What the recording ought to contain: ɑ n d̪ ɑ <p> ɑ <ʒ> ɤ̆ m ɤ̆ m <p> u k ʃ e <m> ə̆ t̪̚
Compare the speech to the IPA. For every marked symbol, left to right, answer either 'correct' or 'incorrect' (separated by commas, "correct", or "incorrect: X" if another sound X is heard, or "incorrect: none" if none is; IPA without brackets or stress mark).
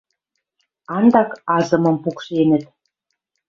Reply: incorrect: k, incorrect: z, correct, incorrect: n